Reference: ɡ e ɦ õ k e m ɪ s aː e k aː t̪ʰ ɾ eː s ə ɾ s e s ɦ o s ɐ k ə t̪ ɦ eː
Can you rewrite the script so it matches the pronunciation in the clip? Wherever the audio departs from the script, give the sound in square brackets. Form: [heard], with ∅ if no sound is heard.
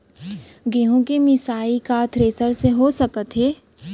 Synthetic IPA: ɡ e ɦ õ k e m ɪ s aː [i] k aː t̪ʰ ɾ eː s ə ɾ s e [∅] ɦ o s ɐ k ə t̪ ɦ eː